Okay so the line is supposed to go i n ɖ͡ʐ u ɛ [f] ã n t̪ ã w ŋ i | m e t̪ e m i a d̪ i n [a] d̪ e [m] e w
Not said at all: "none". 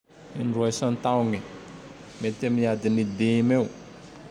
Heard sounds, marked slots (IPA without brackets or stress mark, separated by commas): s, i, m